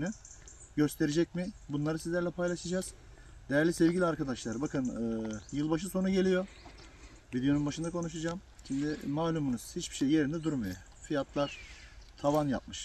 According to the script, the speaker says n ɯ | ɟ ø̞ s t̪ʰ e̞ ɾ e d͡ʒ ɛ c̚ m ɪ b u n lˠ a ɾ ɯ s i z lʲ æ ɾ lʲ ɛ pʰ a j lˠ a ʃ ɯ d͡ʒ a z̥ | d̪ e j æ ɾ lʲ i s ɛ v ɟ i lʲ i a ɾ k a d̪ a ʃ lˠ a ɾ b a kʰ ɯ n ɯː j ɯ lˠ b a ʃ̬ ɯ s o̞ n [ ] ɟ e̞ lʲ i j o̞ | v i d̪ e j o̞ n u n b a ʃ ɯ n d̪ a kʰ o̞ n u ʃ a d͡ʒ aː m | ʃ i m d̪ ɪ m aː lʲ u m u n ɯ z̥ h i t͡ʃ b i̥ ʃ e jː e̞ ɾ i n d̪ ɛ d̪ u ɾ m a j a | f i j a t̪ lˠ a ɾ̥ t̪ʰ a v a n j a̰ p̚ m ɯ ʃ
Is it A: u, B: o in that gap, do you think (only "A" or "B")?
A